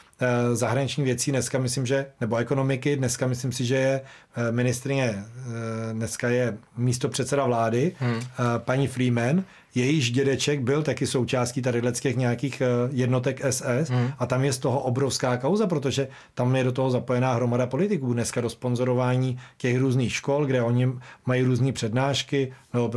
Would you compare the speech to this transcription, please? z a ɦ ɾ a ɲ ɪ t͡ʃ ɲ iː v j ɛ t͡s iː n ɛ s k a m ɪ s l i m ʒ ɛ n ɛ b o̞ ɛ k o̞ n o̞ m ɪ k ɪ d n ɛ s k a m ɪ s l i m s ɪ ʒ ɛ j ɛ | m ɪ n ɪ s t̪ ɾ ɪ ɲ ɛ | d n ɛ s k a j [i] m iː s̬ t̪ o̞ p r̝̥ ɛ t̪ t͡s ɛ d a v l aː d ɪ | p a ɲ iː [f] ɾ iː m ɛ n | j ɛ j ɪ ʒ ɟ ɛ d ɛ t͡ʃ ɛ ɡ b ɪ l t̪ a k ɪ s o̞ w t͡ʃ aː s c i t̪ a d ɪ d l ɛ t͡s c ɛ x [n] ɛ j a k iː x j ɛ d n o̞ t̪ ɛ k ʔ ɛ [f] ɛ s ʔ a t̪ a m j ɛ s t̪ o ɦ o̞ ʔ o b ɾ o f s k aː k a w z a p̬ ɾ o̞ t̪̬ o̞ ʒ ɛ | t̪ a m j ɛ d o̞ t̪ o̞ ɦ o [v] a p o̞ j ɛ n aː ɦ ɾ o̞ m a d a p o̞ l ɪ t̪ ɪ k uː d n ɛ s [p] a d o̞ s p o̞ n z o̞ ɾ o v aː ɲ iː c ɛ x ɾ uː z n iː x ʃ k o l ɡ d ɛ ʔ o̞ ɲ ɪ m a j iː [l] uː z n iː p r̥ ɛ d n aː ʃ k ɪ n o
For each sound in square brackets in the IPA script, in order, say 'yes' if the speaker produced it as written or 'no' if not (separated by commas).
no, yes, no, no, no, no, no